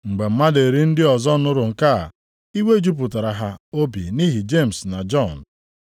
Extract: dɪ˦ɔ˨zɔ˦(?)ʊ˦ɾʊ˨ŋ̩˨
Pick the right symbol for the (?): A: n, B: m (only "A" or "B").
A